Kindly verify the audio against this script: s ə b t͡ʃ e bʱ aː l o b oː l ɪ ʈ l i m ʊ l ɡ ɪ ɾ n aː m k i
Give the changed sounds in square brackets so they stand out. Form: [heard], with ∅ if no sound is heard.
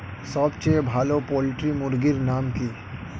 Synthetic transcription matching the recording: s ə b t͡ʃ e bʱ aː l o [p] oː l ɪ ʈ [ɾ] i m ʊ [ɾ] ɡ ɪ ɾ n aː m k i